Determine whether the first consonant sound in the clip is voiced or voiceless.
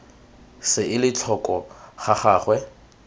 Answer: voiceless